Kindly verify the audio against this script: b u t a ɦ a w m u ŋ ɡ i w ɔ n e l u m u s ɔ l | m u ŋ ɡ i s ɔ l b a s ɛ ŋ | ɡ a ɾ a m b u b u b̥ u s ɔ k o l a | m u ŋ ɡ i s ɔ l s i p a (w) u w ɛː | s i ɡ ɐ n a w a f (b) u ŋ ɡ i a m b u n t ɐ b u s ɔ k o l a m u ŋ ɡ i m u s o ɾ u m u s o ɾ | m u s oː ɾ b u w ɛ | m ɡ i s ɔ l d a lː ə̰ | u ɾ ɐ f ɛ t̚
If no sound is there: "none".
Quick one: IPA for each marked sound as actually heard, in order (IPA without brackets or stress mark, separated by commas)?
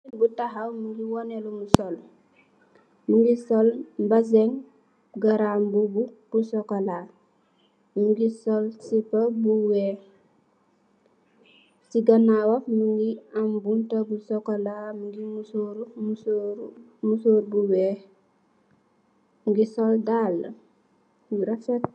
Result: b, m